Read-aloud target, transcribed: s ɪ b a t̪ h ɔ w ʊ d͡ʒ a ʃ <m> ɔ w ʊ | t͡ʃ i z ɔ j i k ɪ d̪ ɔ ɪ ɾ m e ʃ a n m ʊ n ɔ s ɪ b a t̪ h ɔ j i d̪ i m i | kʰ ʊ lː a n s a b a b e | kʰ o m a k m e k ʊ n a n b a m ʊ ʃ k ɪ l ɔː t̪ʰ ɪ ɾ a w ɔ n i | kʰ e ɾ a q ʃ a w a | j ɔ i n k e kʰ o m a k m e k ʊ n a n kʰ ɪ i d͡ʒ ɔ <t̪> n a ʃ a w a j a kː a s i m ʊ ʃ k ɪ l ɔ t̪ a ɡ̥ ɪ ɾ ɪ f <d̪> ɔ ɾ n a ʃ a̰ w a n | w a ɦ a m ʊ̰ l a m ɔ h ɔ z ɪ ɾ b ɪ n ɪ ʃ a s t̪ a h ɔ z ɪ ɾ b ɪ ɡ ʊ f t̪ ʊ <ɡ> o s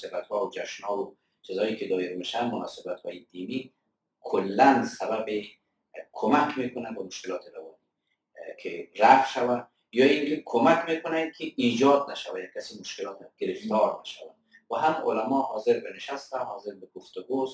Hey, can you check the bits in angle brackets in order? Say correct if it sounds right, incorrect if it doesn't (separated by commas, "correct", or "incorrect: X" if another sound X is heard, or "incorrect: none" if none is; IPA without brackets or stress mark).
incorrect: n, incorrect: d̪, incorrect: t̪, correct